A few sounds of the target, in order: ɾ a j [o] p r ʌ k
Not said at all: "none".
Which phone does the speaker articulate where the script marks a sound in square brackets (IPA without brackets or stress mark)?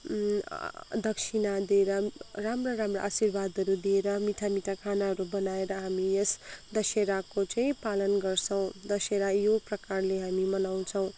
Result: o